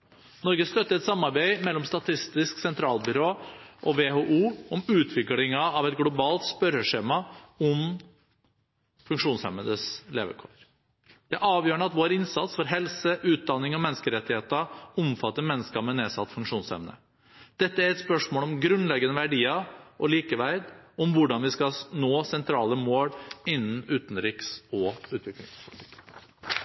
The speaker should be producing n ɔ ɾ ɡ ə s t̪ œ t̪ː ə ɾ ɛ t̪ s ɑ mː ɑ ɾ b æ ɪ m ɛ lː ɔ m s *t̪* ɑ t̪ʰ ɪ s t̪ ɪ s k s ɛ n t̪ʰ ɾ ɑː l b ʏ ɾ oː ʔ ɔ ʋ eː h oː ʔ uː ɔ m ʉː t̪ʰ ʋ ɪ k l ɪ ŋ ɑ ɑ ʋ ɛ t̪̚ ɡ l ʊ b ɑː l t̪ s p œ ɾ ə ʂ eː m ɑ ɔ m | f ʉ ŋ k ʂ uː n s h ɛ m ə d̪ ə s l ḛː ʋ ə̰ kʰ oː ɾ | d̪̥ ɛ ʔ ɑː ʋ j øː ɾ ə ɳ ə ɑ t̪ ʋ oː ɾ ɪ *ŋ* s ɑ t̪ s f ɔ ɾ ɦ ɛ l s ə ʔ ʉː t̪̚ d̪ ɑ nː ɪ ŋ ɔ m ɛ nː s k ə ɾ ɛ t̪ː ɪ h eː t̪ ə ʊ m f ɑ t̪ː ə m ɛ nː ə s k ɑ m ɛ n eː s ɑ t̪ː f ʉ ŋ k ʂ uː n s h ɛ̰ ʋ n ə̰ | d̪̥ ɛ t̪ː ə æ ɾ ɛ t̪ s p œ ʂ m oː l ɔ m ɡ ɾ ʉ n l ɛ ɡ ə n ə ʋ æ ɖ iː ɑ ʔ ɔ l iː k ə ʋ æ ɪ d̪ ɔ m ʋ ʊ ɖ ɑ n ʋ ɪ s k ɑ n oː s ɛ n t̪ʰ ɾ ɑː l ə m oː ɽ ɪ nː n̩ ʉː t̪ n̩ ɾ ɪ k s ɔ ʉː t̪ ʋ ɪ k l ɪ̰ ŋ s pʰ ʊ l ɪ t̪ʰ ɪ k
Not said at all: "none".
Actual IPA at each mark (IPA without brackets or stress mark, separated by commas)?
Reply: t̪, n